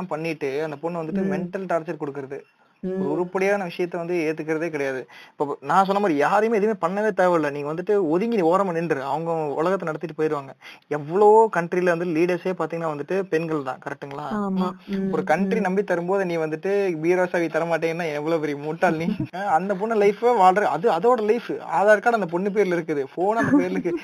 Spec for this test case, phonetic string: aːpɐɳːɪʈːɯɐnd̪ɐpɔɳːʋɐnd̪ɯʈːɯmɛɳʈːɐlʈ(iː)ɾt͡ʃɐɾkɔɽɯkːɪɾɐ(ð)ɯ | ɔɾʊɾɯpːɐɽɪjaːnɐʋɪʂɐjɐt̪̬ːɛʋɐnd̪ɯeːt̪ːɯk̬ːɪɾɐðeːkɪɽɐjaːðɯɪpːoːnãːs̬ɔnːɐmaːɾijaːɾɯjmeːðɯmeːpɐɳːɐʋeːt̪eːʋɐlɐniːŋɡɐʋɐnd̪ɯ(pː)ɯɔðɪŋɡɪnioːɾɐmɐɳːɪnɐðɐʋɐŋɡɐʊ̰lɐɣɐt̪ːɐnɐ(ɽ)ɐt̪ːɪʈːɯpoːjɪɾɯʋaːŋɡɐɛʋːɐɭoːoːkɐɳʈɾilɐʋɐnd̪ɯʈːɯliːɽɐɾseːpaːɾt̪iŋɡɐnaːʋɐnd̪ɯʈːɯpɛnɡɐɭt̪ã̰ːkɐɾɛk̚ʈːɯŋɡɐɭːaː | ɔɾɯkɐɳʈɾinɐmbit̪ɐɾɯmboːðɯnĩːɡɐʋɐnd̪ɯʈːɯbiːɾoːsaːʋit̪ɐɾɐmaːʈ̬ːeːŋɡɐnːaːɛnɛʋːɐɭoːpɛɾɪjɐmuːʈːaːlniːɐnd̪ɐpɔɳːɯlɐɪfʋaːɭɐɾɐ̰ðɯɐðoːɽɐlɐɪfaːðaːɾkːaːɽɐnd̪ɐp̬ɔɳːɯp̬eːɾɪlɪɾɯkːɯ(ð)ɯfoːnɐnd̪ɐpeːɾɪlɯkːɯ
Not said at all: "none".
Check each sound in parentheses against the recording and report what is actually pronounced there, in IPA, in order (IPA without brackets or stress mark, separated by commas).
aː, ð, ʈː, ɽ, ð